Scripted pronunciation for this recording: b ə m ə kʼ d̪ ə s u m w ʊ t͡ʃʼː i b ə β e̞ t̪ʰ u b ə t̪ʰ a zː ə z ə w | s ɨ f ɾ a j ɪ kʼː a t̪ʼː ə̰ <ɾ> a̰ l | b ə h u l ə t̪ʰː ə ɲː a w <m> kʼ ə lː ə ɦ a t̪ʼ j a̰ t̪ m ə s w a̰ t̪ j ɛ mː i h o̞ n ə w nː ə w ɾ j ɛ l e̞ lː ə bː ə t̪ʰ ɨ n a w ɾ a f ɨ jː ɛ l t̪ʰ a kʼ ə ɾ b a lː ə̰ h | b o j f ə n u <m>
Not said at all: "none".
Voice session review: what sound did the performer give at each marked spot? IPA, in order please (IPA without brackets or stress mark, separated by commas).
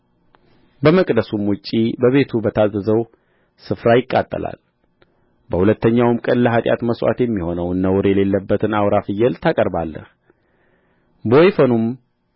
l, m, m